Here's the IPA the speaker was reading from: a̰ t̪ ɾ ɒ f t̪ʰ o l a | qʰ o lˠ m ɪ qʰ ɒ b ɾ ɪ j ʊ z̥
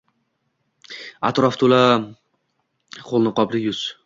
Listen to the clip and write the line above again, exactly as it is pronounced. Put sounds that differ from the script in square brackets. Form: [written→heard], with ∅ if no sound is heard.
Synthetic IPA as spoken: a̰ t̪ ɾ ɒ f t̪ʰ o l a | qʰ o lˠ [m→n] ɪ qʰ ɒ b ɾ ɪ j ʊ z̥